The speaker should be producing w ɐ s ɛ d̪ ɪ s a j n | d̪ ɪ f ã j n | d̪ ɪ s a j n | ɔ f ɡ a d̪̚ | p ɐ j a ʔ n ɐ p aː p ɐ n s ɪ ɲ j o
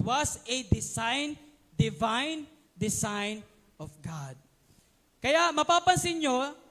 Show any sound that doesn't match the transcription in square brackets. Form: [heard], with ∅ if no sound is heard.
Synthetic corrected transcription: w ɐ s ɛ d̪ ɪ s a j n | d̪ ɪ [v] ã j n | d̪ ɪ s a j n | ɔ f ɡ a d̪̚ | [k] ɐ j a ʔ [m] ɐ p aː p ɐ n s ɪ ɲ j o